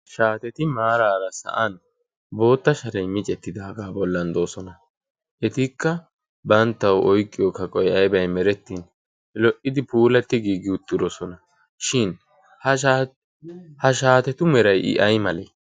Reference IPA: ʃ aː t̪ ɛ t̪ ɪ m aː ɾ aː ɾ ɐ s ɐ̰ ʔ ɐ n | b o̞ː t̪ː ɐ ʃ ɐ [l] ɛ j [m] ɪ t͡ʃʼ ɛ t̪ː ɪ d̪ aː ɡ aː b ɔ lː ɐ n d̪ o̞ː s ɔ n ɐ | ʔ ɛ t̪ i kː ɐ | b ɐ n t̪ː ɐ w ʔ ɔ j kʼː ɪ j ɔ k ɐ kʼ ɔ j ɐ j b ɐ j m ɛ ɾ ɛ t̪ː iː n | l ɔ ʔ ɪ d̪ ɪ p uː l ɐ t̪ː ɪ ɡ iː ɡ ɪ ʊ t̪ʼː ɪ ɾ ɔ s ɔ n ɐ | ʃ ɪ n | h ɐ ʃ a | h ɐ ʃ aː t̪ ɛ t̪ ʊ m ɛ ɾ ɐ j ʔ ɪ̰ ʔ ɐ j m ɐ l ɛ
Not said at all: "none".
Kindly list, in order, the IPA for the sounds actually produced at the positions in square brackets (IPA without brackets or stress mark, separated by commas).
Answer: ɾ, m